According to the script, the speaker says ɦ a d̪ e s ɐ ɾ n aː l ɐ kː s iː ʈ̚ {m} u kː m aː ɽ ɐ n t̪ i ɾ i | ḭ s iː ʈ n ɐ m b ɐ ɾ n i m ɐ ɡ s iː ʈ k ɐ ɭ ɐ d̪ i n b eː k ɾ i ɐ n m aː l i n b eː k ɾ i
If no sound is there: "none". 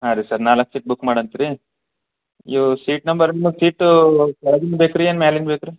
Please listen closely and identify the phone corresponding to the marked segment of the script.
b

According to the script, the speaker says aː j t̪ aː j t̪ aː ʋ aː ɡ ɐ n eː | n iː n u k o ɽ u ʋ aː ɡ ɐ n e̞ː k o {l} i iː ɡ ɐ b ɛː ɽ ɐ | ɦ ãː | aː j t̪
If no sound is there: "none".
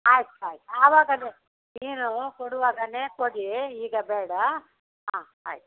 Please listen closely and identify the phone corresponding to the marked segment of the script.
ɽ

